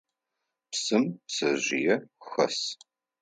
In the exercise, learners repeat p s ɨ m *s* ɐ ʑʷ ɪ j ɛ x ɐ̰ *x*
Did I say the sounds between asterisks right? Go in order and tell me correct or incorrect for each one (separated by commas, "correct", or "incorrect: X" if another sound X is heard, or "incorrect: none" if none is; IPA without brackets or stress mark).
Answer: correct, incorrect: s